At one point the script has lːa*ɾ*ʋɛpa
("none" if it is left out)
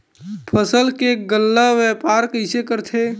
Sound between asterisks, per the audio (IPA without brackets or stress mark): none